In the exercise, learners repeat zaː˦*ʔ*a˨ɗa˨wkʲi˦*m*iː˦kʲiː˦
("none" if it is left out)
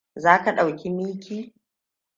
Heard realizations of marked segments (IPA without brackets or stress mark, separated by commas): k, m